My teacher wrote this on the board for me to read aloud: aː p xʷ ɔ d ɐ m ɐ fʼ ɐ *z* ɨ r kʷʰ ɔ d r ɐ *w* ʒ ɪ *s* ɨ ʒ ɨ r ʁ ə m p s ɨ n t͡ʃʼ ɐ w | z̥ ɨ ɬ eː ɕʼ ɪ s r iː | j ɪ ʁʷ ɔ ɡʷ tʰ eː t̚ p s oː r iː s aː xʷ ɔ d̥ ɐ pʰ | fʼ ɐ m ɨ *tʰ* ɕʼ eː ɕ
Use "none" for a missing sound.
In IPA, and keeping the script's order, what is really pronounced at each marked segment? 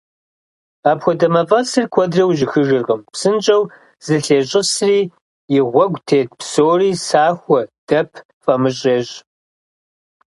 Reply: s, w, x, none

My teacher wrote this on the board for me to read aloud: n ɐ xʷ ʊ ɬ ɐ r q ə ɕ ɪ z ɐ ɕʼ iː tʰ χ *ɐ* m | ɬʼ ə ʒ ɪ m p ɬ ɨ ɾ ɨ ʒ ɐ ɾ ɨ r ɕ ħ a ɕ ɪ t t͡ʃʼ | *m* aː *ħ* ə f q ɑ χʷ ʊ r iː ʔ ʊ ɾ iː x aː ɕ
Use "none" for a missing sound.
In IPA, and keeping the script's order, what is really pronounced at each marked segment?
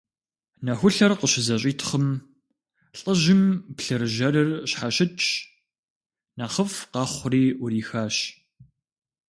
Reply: ə, n, χ

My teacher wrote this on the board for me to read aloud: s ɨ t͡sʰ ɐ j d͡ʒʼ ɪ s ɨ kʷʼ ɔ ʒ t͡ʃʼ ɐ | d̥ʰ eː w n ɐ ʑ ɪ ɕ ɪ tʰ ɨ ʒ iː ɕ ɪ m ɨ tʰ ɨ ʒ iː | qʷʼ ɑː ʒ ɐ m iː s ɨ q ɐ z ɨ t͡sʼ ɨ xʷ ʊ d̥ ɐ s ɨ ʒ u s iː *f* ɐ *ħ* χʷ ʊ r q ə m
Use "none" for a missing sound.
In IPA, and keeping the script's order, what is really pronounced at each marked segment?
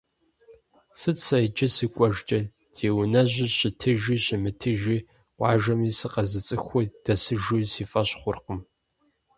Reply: f, ɕ

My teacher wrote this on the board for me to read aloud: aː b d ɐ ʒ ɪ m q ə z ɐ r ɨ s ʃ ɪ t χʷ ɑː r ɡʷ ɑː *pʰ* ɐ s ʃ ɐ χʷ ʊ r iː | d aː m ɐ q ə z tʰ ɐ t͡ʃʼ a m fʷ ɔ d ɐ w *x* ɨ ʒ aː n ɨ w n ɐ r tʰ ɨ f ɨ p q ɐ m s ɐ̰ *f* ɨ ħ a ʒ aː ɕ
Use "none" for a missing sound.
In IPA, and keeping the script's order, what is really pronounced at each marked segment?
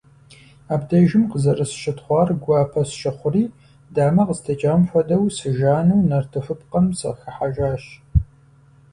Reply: pʰ, s, x

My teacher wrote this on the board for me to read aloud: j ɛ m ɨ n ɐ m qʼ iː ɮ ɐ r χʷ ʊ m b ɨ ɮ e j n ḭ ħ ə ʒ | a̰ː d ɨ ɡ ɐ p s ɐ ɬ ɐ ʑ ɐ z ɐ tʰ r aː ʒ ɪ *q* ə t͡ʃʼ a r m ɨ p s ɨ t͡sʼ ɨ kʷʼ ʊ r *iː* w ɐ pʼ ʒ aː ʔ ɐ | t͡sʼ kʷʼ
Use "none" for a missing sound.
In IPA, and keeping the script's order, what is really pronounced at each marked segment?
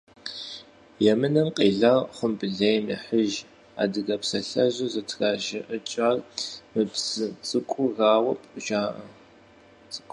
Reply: ʔ, aː

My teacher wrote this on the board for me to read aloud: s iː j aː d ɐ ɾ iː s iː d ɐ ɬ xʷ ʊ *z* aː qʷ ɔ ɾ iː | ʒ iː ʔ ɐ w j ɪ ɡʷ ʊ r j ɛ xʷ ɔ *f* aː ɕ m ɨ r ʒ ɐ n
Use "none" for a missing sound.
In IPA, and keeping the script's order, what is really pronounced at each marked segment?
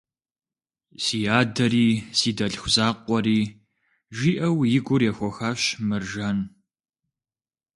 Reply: z, x

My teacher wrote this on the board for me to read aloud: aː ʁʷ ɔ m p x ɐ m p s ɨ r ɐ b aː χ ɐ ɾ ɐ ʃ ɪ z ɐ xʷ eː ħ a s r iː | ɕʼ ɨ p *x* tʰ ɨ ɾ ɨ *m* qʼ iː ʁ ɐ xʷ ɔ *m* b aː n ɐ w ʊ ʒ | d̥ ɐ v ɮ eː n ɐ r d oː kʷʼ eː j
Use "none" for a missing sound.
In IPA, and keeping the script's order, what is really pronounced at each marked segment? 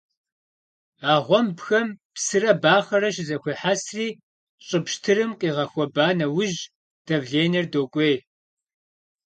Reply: ʃ, m, none

